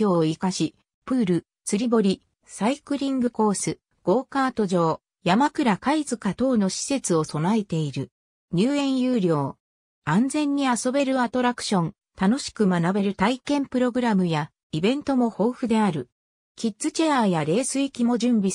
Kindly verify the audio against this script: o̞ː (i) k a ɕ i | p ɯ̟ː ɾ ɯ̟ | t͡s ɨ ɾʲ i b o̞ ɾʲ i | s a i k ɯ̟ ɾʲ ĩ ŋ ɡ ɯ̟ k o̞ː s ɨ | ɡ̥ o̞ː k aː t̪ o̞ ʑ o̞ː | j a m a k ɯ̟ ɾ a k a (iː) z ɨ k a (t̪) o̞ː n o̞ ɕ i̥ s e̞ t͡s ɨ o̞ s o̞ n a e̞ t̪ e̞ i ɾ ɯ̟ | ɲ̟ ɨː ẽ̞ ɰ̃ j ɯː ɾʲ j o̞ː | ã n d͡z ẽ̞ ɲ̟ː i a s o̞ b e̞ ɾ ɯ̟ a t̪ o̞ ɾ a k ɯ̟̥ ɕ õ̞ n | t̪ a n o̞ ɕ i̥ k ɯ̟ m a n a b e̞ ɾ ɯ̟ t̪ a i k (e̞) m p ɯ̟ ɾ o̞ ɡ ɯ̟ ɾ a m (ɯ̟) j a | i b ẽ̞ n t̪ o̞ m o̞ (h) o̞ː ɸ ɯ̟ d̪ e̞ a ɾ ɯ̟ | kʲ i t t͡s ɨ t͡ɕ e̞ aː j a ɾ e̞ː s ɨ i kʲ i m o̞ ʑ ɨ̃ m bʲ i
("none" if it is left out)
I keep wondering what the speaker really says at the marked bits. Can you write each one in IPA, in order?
i, i, t̪, ẽ̞, ɯ̟, h

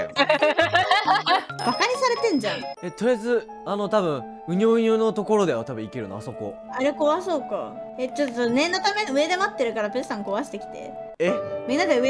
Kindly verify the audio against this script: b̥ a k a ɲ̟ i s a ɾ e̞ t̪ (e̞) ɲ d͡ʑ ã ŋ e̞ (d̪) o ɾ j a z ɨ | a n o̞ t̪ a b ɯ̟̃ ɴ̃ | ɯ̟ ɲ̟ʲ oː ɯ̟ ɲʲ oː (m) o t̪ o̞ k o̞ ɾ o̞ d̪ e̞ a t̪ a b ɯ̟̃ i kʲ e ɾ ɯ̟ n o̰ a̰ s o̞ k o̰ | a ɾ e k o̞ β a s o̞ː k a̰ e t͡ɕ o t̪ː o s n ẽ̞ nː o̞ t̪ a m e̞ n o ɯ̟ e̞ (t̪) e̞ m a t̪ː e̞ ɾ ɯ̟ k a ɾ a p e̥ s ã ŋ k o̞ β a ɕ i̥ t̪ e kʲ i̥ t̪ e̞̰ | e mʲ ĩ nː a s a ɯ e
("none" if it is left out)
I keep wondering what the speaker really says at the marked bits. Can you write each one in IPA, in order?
ẽ̞, t̪, n, d̪

